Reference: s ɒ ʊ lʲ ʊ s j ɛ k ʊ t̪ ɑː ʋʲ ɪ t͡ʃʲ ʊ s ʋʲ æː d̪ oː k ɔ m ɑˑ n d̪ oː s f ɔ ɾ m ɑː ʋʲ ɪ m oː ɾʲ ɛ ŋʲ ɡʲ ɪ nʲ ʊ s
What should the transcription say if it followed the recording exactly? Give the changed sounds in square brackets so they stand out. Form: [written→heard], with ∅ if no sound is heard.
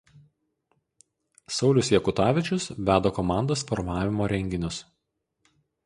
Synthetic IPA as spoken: s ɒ ʊ lʲ ʊ s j ɛ k ʊ t̪ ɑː ʋʲ ɪ t͡ʃʲ ʊ s ʋʲ æː d̪ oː k ɔ m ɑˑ n d̪ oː s f ɔ ɾ m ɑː ʋʲ ɪ m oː ɾʲ ɛ ŋʲ ɡʲ ɪ nʲ ʊ s